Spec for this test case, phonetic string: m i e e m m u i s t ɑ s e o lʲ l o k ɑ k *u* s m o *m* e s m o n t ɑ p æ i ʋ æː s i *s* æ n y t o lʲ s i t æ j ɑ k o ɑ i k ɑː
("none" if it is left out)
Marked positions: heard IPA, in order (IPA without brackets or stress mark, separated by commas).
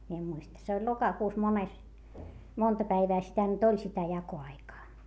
uː, n, t